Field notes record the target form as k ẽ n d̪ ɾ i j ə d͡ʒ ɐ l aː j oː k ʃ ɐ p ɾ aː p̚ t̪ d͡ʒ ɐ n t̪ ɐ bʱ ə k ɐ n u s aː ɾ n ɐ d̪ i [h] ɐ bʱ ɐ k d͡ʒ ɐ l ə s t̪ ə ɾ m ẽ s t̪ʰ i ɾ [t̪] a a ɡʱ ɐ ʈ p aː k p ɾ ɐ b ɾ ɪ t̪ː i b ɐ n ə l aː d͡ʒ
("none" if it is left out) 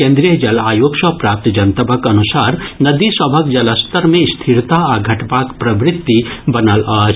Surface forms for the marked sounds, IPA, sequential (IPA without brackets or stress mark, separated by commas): s, t̪